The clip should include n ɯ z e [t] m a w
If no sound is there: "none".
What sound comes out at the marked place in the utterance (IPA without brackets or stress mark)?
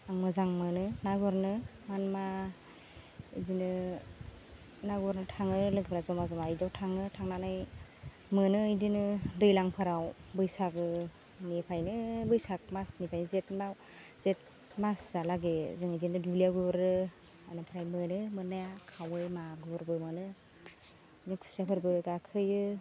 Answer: t